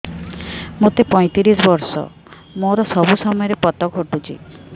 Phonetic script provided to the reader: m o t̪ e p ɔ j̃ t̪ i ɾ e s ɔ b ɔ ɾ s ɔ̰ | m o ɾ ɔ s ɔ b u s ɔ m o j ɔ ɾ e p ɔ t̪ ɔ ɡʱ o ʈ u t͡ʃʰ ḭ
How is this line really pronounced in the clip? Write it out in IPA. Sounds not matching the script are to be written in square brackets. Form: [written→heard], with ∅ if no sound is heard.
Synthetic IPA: m o t̪ e p ɔ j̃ t̪ i ɾ [e→i] s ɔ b ɔ ɾ s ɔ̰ | m o ɾ ɔ s ɔ b u s ɔ m [o→ɔ] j ɔ ɾ e p ɔ t̪ ɔ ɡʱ o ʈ u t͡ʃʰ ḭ